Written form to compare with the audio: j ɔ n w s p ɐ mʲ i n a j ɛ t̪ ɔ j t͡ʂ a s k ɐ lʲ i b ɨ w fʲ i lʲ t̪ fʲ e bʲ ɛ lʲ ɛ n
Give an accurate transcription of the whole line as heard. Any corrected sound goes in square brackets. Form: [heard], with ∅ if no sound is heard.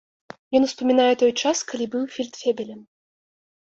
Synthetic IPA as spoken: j ɔ n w s p ɐ mʲ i n a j ɛ t̪ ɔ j t͡ʂ a s k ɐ lʲ i b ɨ w fʲ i lʲ t̪ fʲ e bʲ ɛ lʲ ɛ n